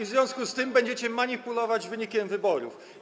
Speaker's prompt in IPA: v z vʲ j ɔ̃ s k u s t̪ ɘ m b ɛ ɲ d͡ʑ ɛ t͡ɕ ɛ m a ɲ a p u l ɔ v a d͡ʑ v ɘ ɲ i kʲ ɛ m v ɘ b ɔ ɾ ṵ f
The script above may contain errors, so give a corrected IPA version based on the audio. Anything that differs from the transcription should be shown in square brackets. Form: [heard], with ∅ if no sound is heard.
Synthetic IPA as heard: v z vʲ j ɔ̃ s k u s t̪ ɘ m b ɛ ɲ d͡ʑ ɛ t͡ɕ ɛ m a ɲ [i] p u l ɔ v a d͡ʑ v ɘ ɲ i kʲ ɛ m v ɘ b ɔ ɾ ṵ f